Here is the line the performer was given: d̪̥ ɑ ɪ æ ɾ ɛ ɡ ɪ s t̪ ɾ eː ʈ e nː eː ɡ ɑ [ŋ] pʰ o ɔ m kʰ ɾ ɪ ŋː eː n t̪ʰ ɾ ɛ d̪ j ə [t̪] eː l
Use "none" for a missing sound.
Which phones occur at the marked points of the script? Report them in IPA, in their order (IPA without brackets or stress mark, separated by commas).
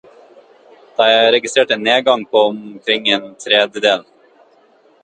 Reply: ŋ, d̪